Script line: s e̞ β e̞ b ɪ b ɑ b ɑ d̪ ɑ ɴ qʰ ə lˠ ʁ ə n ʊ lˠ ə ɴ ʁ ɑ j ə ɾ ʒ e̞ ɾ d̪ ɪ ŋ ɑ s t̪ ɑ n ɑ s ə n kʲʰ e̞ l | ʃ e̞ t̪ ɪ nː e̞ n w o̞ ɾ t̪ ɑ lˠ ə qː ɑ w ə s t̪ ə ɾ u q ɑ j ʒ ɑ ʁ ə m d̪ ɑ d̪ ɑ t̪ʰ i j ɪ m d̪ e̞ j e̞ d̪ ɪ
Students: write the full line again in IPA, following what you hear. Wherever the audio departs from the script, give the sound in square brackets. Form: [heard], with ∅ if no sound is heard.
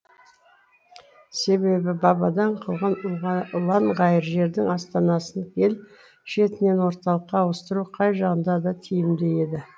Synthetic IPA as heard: s e̞ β e̞ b ɪ b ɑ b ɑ d̪ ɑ ɴ qʰ ə lˠ ʁ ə n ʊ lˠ [ɑ] ɴ ʁ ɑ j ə ɾ ʒ e̞ ɾ d̪ ɪ ŋ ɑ s t̪ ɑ n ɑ s ə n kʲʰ e̞ l | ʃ e̞ t̪ ɪ [n] e̞ n w o̞ ɾ t̪ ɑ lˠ ə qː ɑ w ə s t̪ ə ɾ u [qʰ] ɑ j ʒ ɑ ʁ ə [n] d̪ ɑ d̪ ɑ t̪ʰ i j ɪ m d̪ e̞ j e̞ d̪ ɪ